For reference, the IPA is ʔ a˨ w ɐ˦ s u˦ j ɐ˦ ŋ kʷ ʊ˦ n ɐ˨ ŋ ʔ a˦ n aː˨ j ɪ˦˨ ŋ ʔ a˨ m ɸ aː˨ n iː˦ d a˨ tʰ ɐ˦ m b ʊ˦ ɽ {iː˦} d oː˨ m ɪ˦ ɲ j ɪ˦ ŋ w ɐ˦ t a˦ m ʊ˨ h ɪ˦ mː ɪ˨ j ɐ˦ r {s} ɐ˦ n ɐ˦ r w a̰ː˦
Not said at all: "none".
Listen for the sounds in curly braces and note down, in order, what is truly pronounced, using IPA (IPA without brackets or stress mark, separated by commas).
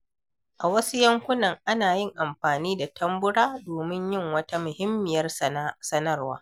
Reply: aː˦, s